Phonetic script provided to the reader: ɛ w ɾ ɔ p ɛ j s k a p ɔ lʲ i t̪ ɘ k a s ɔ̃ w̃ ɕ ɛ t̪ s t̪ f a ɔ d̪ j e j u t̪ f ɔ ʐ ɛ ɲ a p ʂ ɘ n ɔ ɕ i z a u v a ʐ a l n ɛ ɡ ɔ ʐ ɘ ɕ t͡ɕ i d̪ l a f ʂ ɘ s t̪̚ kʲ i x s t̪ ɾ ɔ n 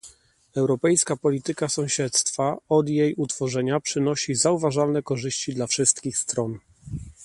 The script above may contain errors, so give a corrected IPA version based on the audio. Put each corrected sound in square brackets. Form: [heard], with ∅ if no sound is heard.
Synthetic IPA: ɛ w ɾ ɔ p ɛ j s k a p ɔ lʲ i t̪ ɘ k a s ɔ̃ w̃ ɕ ɛ t̪ s t̪ f a ɔ d̪ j e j u t̪ f ɔ ʐ ɛ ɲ a p ʂ ɘ n ɔ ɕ i z a u v a ʐ a l n ɛ [k] ɔ ʐ ɘ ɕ t͡ɕ i d̪ l a f ʂ ɘ s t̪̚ kʲ i x s t̪ ɾ ɔ n